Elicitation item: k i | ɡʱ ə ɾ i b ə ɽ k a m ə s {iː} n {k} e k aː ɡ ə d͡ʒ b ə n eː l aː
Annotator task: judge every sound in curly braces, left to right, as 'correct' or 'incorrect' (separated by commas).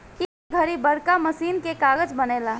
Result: correct, correct